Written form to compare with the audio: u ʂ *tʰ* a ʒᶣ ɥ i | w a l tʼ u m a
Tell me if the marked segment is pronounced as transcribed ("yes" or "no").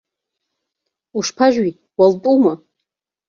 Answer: no